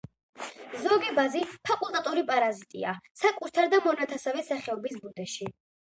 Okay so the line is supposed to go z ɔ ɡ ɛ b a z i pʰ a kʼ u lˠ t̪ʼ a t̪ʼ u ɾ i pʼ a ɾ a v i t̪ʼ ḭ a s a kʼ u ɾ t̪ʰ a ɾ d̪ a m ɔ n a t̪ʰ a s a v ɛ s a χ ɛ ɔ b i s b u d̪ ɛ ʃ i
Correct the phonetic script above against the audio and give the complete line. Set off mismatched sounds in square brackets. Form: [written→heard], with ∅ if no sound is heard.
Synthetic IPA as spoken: z ɔ ɡ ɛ b a z i pʰ a kʼ u lˠ t̪ʼ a t̪ʼ u ɾ i pʼ a ɾ a [v→z] i t̪ʼ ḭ a s a kʼ u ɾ t̪ʰ a ɾ d̪ a m ɔ n a t̪ʰ a s a v ɛ s a χ ɛ ɔ b i s b u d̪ ɛ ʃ i

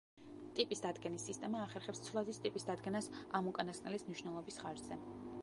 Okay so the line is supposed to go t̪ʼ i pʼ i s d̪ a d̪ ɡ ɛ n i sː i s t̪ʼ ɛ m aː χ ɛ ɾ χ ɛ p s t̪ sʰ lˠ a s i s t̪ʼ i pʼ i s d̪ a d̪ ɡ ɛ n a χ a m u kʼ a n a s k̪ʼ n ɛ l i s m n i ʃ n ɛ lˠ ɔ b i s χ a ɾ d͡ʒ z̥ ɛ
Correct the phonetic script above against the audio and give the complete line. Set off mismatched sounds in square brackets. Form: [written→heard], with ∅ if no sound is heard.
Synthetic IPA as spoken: t̪ʼ i pʼ i s d̪ a d̪ ɡ ɛ n i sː i s t̪ʼ ɛ m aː χ ɛ ɾ χ ɛ p s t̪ sʰ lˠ a [s→z] i s t̪ʼ i pʼ i s d̪ a d̪ ɡ ɛ n a [χ→s] a m u kʼ a n a s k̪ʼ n ɛ l i s m n i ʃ n ɛ lˠ ɔ b i s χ a ɾ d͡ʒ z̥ ɛ

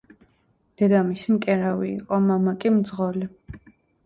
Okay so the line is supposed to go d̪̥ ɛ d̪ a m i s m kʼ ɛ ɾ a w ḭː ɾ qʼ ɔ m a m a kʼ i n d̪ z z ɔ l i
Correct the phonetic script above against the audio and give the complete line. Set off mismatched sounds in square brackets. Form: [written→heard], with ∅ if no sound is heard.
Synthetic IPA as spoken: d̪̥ ɛ d̪ a m i s m kʼ ɛ ɾ a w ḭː [ɾ→∅] qʼ ɔ m a m a kʼ i [n→m] d̪ z [z→ʁ] ɔ l i

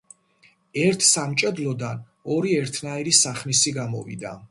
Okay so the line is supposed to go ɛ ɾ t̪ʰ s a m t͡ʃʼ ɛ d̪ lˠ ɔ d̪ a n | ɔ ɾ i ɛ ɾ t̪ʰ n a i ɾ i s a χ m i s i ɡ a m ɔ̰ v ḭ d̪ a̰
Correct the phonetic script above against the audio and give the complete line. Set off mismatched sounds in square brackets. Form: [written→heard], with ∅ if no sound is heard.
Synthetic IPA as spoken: ɛ ɾ t̪ʰ s a m t͡ʃʼ ɛ d̪ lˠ ɔ d̪ a n | ɔ ɾ i ɛ ɾ t̪ʰ n a i ɾ i s a χ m i s i ɡ a m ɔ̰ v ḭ d̪ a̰

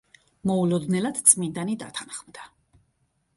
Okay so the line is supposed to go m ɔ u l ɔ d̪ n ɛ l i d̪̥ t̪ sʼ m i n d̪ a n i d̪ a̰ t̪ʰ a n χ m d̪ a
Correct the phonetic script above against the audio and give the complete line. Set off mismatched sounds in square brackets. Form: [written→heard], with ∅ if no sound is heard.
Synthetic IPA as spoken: m ɔ u l ɔ d̪ n ɛ l [i→a] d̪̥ t̪ sʼ m i n d̪ a n i d̪ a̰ t̪ʰ a n χ m d̪ a

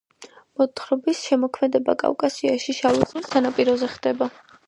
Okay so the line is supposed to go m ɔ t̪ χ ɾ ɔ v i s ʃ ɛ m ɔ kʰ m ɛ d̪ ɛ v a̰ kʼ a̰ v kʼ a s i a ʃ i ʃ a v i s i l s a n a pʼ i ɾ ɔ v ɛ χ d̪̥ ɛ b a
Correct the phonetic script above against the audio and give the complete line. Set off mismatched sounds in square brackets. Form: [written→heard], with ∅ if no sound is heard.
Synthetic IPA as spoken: m ɔ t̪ χ ɾ ɔ [v→b] i s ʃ ɛ m ɔ kʰ m ɛ d̪ ɛ [v→b] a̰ kʼ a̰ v kʼ a s i a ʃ i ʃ a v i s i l s a n a pʼ i ɾ ɔ [v→z] ɛ χ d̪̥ ɛ b a

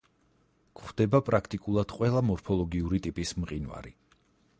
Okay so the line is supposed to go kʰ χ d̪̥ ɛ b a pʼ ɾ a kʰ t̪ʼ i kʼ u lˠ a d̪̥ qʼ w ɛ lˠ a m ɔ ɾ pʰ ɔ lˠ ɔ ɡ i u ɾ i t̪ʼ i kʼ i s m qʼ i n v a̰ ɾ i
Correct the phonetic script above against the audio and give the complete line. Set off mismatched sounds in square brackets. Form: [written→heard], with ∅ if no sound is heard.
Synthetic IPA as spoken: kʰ χ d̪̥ ɛ b a pʼ ɾ a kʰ t̪ʼ i kʼ u lˠ a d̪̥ qʼ w ɛ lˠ a m ɔ ɾ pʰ ɔ lˠ ɔ ɡ i u ɾ i t̪ʼ i [kʼ→pʼ] i s m qʼ i n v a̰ ɾ i

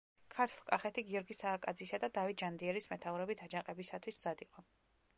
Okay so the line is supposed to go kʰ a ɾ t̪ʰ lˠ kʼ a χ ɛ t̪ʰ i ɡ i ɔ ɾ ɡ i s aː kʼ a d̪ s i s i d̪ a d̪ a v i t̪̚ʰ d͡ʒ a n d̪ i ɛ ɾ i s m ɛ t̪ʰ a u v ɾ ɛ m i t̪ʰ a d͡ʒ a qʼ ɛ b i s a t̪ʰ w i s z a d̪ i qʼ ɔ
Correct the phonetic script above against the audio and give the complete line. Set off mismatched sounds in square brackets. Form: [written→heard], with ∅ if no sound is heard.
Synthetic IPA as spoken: kʰ a ɾ t̪ʰ lˠ kʼ a χ ɛ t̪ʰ i ɡ i ɔ ɾ ɡ i s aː kʼ a d̪ [s→z] i s [i→a] d̪ a d̪ a v i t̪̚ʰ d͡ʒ a n d̪ i ɛ ɾ i s m ɛ t̪ʰ a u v ɾ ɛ [m→b] i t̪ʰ a d͡ʒ a qʼ ɛ b i s a t̪ʰ w i s z a d̪ i qʼ ɔ

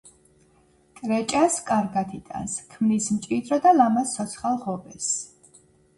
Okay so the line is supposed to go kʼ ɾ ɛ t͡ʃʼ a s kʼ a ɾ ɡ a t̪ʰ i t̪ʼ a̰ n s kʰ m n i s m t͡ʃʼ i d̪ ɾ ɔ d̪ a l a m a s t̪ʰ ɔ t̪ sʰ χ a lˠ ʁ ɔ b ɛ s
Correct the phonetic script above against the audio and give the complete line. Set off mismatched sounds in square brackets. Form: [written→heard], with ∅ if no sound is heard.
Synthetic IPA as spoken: kʼ ɾ ɛ t͡ʃʼ a s kʼ a ɾ ɡ a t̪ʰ i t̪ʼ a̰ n s kʰ m n i s m t͡ʃʼ i d̪ ɾ ɔ d̪ a l a m a s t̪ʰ ɔ t̪ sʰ χ a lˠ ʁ ɔ b ɛ s

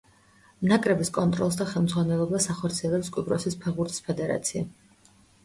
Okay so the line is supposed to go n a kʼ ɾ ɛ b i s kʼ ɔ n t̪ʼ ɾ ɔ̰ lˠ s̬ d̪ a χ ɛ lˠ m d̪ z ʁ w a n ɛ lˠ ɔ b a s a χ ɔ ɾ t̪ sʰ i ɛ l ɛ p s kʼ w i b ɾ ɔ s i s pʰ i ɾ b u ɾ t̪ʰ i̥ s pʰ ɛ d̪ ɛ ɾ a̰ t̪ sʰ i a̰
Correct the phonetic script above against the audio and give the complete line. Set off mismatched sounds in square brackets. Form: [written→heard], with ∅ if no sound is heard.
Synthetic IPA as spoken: n a kʼ ɾ ɛ b i s kʼ ɔ n t̪ʼ ɾ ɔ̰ lˠ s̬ d̪ a χ ɛ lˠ m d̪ z ʁ w a n ɛ lˠ ɔ b a s a χ ɔ ɾ t̪ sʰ i ɛ l ɛ p s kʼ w i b ɾ ɔ s i s pʰ [i→ɛ] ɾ b u ɾ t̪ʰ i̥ s pʰ ɛ d̪ ɛ ɾ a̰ t̪ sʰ i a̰

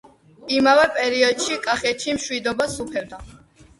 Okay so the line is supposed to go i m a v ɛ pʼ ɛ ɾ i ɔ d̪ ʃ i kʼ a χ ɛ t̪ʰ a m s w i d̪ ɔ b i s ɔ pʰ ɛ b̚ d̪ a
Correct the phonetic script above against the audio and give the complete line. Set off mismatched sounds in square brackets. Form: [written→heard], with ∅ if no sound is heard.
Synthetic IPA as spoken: i m a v ɛ pʼ ɛ ɾ i ɔ d̪ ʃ i kʼ a χ ɛ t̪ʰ [a→i] m [s→ʃ] w i d̪ ɔ b [i→a] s [ɔ→u] pʰ ɛ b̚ d̪ a

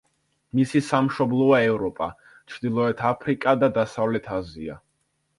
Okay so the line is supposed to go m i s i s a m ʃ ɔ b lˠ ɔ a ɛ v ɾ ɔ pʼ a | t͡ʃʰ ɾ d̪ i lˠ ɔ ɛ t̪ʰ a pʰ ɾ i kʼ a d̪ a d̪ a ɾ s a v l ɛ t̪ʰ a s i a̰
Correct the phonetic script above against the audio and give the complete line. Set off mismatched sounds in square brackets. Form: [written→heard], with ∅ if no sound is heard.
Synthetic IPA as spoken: m i s i s a m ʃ ɔ b lˠ ɔ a ɛ v ɾ ɔ pʼ a | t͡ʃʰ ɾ d̪ i lˠ ɔ ɛ t̪ʰ a pʰ ɾ i kʼ a d̪ a d̪ a [ɾ→∅] s a v l ɛ t̪ʰ a [s→z] i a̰

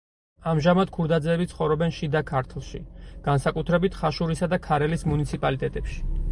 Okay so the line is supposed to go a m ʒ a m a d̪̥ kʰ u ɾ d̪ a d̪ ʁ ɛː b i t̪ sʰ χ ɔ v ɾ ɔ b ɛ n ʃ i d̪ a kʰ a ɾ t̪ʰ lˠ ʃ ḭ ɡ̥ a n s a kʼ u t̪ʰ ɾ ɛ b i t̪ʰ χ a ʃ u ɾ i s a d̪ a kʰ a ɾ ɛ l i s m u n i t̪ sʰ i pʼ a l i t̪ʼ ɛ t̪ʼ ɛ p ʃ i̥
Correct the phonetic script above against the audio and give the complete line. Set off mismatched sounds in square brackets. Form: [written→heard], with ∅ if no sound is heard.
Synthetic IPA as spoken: a m ʒ a m a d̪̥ kʰ u ɾ d̪ a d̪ [ʁ→z] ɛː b i t̪ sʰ χ ɔ v ɾ ɔ b ɛ n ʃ i d̪ a kʰ a ɾ t̪ʰ lˠ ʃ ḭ ɡ̥ a n s a kʼ u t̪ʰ ɾ ɛ b i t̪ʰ χ a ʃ u ɾ i s a d̪ a kʰ a ɾ ɛ l i s m u n i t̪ sʰ i pʼ a l i t̪ʼ ɛ t̪ʼ ɛ p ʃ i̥

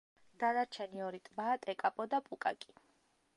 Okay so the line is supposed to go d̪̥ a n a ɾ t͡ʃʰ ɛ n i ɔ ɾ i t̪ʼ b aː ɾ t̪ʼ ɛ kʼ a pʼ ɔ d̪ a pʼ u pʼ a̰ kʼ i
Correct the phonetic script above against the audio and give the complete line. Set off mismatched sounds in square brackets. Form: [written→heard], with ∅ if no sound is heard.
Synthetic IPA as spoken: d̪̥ a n a ɾ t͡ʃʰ ɛ n i ɔ ɾ i t̪ʼ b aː [ɾ→∅] t̪ʼ ɛ kʼ a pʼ ɔ d̪ a pʼ u [pʼ→kʼ] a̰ kʼ i

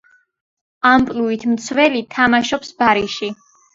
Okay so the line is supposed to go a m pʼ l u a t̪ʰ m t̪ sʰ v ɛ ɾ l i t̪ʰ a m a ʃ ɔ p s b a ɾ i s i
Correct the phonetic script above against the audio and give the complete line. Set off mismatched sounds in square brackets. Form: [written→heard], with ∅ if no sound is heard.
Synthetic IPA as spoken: a m pʼ l u [a→i] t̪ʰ m t̪ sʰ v ɛ [ɾ→∅] l i t̪ʰ a m a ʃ ɔ p s b a ɾ i [s→ʃ] i

